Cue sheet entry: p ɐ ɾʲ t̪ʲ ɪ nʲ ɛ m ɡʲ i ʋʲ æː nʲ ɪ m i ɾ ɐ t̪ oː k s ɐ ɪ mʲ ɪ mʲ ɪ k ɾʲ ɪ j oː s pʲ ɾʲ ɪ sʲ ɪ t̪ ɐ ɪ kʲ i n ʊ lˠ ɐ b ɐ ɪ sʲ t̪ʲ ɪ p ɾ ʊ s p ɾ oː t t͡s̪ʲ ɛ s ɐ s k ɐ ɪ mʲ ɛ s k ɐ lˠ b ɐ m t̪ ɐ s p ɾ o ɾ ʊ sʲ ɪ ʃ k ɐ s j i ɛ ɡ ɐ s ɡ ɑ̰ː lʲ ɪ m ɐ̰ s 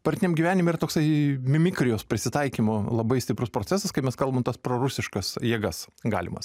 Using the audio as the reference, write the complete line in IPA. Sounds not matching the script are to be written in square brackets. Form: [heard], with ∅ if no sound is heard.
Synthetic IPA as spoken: p ɐ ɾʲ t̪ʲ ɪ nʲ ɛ m ɡʲ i ʋʲ æː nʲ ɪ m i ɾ ɐ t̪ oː k s ɐ ɪ mʲ ɪ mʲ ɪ k ɾʲ ɪ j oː s pʲ ɾʲ ɪ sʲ ɪ t̪ ɐ ɪ kʲ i [m] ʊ lˠ ɐ b ɐ ɪ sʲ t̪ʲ ɪ p ɾ ʊ s p ɾ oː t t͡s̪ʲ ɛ s ɐ s k ɐ ɪ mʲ ɛ s k ɐ lˠ b ɐ m t̪ ɐ s p ɾ o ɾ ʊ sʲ ɪ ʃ k ɐ s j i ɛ ɡ ɐ s ɡ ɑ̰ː lʲ ɪ m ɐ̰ s